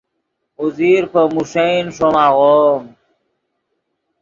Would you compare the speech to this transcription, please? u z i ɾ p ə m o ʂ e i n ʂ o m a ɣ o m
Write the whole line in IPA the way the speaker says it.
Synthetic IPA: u z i ɾ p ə m u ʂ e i n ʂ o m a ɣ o m